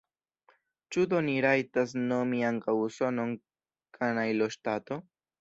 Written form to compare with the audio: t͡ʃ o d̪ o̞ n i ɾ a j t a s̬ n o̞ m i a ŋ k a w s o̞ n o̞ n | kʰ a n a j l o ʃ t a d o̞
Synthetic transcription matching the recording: t͡ʃ u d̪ o̞ n i ɾ a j t a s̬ n o̞ m i a ŋ k a w s o̞ n o̞ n | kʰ a n a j l o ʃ t a t o̞